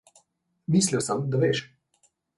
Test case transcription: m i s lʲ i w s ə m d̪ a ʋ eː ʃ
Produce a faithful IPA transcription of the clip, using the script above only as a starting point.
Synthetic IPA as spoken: m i s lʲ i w s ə m d̪ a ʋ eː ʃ